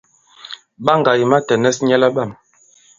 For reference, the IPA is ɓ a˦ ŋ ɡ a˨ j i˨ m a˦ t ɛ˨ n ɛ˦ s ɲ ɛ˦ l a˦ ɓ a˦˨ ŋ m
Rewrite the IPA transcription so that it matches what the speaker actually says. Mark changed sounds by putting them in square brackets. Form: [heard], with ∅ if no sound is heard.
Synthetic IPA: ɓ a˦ ŋ ɡ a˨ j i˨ m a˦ t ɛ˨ n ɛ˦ s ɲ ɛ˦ l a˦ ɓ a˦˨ [∅] m